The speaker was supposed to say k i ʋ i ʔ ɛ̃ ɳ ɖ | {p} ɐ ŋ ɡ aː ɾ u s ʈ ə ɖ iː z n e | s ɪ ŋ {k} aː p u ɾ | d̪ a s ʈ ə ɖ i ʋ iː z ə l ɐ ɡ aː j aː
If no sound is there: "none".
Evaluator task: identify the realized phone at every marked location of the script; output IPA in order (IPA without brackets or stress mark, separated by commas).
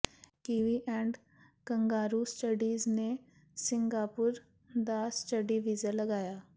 k, ɡ